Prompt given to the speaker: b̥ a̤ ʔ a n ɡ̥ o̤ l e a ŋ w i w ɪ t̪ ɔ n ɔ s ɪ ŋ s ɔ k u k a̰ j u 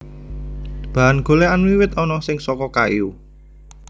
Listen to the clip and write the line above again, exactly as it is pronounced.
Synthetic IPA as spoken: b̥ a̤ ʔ a n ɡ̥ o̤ l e a n w i w ɪ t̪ ɔ n ɔ s ɪ ŋ s ɔ k ɔ k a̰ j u

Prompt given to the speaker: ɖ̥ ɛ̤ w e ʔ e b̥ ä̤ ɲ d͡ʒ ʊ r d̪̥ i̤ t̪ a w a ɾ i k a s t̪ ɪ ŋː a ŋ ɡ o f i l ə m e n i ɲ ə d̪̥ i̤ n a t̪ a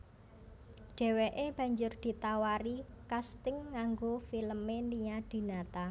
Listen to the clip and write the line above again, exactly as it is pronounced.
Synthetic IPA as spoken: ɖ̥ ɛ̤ w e ʔ e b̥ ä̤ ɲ d͡ʒ ʊ r d̪̥ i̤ t̪ a w a ɾ i k a s t̪ ɪ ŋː a ŋ ɡ o f i l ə m e n i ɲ a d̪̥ i̤ n a t̪ a

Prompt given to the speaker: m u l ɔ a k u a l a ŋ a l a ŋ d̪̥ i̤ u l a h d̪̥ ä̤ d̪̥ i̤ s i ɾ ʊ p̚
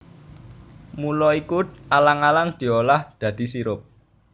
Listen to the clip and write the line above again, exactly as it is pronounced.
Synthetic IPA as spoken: m u l ɔ i k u a l a ŋ a l a ŋ d̪̥ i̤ o l a h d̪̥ ä̤ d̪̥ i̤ s i ɾ ʊ p̚

